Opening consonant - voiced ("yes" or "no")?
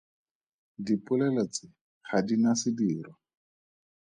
yes